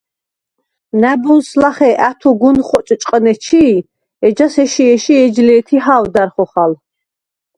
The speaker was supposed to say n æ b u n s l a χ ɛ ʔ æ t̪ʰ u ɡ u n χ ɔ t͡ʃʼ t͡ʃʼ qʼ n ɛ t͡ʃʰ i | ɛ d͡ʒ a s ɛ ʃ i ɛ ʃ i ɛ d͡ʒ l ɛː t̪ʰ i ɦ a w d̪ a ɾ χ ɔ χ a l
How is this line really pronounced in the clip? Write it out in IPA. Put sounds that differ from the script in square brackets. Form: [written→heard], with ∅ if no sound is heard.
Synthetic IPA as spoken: n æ b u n s l a χ ɛ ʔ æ t̪ʰ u ɡ u n χ ɔ t͡ʃʼ t͡ʃʼ qʼ n ɛ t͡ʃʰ i | ɛ d͡ʒ a s ɛ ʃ i ɛ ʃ i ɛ d͡ʒ l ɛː t̪ʰ i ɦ a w d̪ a ɾ χ ɔ χ a l